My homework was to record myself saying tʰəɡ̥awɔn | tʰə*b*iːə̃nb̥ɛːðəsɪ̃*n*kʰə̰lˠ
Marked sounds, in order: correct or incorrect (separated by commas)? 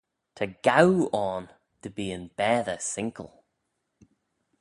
correct, incorrect